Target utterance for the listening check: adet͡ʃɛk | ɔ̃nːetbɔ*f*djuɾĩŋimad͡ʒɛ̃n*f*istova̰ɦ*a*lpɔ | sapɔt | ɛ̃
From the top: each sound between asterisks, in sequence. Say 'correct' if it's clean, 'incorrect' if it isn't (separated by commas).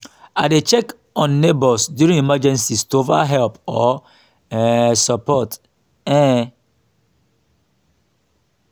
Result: incorrect, incorrect, incorrect